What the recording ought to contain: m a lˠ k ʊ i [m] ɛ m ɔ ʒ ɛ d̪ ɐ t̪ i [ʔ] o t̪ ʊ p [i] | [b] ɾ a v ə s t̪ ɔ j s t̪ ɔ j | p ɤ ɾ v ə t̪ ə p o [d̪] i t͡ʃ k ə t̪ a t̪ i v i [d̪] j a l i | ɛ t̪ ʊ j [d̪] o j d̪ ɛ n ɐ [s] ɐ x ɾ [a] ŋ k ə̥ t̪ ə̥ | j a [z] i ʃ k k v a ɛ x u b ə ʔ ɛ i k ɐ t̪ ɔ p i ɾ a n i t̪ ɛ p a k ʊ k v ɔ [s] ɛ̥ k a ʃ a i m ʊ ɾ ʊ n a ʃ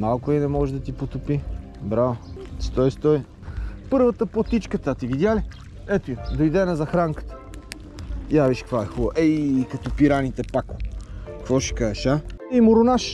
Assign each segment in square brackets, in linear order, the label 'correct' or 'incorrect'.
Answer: incorrect, incorrect, correct, correct, incorrect, correct, correct, incorrect, correct, incorrect, incorrect

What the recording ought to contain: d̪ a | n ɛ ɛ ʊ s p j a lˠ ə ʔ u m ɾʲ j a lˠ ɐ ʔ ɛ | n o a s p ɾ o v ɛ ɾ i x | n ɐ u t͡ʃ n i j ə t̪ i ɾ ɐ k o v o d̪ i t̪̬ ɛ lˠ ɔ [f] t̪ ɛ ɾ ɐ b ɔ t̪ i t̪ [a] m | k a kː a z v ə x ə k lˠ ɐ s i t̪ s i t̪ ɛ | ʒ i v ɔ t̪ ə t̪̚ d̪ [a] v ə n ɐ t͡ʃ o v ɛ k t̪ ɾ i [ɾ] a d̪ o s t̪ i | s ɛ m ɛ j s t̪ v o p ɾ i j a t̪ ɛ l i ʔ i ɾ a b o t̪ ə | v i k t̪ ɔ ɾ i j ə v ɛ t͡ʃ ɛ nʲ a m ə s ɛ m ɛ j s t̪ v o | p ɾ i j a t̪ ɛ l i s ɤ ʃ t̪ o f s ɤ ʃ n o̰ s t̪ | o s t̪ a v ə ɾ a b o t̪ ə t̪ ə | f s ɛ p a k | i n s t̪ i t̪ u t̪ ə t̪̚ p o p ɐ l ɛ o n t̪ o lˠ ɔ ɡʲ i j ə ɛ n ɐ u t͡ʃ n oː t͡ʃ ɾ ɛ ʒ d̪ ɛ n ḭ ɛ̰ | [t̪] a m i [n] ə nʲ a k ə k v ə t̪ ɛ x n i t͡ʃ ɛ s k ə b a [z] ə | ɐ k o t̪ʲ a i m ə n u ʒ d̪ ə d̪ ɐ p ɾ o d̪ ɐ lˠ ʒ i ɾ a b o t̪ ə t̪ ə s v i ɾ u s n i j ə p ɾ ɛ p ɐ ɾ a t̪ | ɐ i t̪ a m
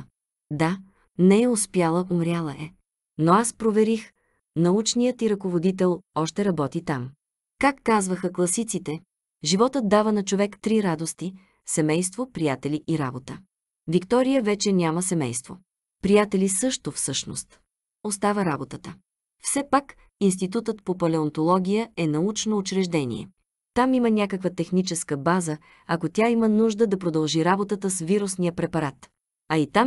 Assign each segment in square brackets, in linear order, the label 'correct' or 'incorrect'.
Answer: incorrect, correct, correct, correct, correct, incorrect, correct

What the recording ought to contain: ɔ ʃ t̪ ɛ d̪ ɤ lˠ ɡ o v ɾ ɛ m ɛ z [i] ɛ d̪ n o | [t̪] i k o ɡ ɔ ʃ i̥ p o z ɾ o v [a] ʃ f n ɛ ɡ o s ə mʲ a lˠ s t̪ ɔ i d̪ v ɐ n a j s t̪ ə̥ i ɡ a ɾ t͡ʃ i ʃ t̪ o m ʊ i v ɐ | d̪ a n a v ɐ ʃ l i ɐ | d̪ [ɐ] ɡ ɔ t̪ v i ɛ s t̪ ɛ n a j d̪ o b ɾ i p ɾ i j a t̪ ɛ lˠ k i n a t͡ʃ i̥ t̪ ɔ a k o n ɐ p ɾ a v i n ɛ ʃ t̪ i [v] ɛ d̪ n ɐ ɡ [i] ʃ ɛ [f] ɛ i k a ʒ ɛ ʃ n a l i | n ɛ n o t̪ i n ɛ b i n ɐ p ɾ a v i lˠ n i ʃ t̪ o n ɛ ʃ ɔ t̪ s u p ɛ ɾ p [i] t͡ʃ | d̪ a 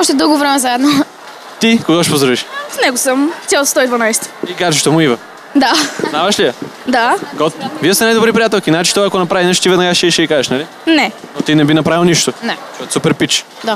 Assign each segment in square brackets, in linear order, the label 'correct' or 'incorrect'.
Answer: incorrect, correct, incorrect, incorrect, correct, incorrect, incorrect, correct

